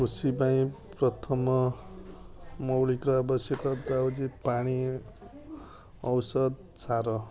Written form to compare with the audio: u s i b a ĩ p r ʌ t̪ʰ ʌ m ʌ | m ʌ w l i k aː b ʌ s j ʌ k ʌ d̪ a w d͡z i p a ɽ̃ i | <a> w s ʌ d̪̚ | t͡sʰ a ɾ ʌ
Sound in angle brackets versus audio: incorrect: ʌ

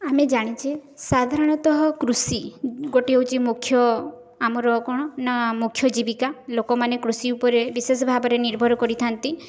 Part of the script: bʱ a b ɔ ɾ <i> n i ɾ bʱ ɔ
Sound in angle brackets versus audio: incorrect: e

